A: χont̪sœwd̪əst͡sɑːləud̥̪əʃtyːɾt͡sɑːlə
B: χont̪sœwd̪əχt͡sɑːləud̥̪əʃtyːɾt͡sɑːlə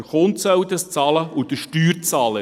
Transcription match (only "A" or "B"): A